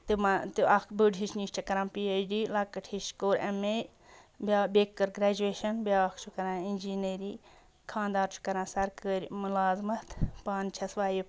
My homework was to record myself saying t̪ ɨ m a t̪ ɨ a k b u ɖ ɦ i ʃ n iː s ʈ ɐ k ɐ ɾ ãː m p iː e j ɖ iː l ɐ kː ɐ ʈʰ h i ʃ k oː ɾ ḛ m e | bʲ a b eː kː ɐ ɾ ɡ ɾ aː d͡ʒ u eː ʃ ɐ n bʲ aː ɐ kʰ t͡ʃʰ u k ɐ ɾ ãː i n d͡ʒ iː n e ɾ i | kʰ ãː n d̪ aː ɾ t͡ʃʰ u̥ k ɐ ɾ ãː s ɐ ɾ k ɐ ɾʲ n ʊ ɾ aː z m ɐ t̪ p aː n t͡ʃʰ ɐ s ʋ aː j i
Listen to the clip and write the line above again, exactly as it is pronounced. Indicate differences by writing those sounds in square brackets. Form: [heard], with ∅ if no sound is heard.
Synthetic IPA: t̪ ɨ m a t̪ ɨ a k b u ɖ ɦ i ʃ n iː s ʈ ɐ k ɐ ɾ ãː m p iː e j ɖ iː l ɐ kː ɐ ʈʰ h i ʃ k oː ɾ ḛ m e | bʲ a b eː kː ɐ ɾ ɡ ɾ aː d͡ʒ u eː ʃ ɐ n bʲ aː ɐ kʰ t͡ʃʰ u k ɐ ɾ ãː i n d͡ʒ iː n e ɾ i | kʰ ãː n d̪ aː ɾ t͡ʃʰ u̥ k ɐ ɾ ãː s ɐ ɾ k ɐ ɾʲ [m] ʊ [l] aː z m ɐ t̪ p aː n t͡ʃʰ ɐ s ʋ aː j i